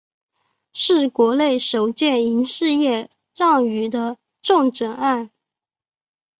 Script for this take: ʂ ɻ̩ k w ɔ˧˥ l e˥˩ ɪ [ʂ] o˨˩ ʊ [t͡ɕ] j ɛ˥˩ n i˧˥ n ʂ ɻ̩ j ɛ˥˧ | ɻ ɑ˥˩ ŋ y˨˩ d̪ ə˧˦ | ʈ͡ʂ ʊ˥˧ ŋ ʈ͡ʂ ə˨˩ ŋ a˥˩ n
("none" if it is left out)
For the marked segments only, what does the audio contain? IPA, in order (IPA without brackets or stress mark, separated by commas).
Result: ʂ, t͡ɕ